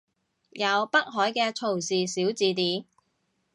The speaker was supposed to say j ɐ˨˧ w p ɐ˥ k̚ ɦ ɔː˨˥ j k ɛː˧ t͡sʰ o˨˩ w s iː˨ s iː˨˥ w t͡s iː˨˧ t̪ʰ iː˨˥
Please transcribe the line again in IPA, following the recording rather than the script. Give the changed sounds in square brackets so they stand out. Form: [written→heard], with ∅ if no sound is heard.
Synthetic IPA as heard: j ɐ˨˧ w p ɐ˥ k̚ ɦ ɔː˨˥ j k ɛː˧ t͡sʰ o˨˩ w s iː˨ s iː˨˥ w t͡s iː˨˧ [t̪ʰ→t̪] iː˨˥